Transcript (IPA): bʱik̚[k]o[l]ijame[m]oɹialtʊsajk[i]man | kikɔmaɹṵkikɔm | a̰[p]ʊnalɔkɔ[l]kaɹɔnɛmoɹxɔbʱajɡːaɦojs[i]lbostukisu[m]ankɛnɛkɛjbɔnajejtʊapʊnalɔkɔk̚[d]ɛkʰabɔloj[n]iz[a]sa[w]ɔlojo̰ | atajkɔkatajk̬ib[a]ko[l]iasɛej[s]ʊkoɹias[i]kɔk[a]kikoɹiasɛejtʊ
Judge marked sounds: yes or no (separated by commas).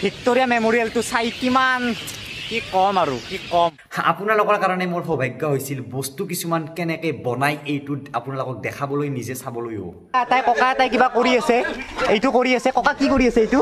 no, no, yes, yes, yes, no, yes, yes, yes, yes, no, no, yes, no, no, no, yes